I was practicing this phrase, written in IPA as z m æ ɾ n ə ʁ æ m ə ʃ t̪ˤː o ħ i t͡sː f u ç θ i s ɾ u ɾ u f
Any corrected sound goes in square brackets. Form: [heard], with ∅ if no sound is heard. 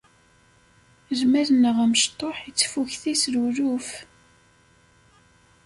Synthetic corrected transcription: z m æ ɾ n ə ʁ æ m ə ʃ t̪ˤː o ħ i t͡sː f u ç θ i s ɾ u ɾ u f